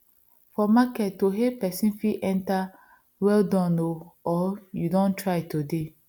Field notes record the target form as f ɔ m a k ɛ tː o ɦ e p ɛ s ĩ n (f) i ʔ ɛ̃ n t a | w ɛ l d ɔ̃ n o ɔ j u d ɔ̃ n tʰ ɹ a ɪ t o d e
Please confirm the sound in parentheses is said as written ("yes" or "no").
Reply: yes